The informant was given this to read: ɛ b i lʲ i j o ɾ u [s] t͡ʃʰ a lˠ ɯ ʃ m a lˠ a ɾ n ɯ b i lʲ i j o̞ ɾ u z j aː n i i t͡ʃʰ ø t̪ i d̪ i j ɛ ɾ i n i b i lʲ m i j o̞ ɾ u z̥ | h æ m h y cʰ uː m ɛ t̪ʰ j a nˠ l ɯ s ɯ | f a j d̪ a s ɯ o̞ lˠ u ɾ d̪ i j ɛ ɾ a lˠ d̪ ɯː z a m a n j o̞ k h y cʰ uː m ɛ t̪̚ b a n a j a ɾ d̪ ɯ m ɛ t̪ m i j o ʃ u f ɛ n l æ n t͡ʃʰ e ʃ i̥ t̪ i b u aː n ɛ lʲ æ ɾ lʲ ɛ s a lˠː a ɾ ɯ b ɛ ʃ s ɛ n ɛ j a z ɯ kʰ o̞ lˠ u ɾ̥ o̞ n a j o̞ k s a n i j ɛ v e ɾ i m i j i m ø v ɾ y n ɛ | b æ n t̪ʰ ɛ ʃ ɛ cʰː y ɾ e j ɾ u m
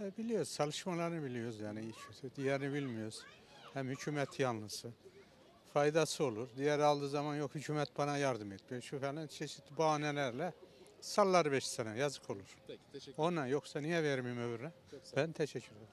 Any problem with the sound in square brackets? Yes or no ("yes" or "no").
yes